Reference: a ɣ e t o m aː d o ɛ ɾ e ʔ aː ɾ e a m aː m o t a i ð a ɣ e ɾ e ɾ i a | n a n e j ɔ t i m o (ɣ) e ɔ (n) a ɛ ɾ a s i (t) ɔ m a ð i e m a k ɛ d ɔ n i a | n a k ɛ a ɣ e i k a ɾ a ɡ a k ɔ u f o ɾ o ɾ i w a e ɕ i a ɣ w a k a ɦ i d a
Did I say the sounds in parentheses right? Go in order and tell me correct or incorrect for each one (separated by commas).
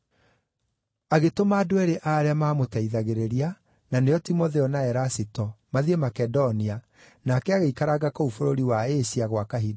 incorrect, correct, correct